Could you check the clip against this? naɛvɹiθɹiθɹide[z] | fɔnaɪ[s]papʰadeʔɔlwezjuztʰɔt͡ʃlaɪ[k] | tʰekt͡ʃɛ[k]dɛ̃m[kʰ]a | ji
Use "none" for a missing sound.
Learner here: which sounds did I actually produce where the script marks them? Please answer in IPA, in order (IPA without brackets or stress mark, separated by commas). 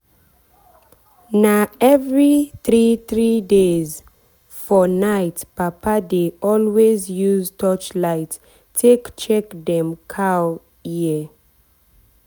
z, t, t, k, kʰ